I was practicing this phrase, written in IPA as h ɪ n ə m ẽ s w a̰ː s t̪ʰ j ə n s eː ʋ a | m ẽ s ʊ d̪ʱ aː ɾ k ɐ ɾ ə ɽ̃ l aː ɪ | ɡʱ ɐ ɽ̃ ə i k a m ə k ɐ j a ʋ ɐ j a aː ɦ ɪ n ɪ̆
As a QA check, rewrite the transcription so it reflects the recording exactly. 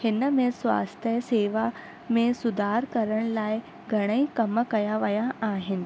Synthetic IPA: h ɪ n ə m ẽ s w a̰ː s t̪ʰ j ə s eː ʋ a | m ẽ s ʊ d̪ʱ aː ɾ k ɐ ɾ ə ɽ̃ l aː ɪ | ɡʱ ɐ ɽ̃ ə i k ɐ m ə k ɐ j a ʋ ɐ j a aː ɦ ɪ n ɪ̆